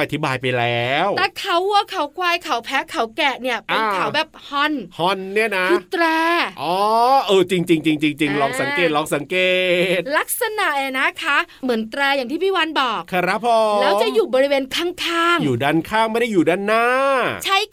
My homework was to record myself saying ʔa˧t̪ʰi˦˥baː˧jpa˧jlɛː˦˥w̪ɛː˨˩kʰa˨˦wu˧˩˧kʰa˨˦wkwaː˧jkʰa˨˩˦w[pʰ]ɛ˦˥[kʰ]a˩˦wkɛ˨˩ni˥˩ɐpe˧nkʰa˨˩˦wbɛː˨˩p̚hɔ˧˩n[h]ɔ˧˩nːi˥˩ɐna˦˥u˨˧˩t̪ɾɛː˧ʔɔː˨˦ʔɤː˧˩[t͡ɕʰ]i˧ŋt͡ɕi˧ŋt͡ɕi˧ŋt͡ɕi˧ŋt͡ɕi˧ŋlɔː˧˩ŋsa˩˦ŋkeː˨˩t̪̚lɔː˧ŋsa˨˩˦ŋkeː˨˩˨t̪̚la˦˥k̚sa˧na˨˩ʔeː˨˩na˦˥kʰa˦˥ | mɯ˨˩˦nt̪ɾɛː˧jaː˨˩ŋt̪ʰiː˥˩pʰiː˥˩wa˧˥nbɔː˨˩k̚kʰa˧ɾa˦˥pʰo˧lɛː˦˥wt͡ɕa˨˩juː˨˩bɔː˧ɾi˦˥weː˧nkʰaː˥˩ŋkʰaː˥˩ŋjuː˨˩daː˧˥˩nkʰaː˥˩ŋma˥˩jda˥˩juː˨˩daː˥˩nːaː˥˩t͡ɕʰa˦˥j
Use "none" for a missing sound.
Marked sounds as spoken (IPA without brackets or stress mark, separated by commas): pʰ, kʰ, h, t͡ɕ